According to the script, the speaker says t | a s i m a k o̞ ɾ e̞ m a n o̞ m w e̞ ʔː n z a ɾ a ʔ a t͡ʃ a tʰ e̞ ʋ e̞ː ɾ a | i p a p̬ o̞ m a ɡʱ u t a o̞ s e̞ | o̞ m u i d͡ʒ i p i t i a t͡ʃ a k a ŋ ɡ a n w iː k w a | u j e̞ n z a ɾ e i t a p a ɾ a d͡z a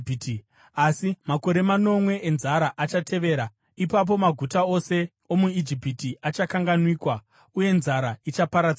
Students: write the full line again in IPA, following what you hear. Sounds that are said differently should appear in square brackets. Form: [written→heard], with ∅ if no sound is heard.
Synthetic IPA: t | a s i m a k o̞ ɾ e̞ m a n o̞ m w e̞ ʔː n z a ɾ a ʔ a t͡ʃ a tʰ e̞ ʋ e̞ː ɾ a | i p a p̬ o̞ m a ɡʱ u t a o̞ s e̞ | o̞ m u i d͡ʒ i p i t i a t͡ʃ a k a ŋ ɡ a n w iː k w a | u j e̞ n z a ɾ [e→a] i [t→t͡ʃ] a p a ɾ a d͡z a